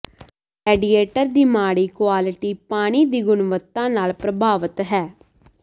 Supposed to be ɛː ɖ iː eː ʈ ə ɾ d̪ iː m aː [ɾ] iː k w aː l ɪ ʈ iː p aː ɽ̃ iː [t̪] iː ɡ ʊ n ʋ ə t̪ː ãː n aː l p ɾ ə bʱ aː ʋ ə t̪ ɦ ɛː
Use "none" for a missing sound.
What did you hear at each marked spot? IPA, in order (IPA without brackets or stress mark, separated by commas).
ɽ, d̪